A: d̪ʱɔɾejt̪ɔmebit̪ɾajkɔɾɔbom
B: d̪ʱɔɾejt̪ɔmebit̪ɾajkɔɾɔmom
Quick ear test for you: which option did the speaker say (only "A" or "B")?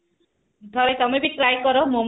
B